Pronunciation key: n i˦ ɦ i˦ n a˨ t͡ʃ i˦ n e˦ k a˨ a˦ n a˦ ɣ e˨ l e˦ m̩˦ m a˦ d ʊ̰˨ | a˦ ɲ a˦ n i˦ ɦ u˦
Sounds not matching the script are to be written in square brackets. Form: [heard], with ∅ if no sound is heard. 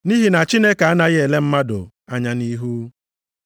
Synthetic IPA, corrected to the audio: n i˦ ɦ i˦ n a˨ t͡ʃ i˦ n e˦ k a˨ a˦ n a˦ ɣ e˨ l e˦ m̩˦ m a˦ d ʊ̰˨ | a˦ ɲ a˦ n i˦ ɦ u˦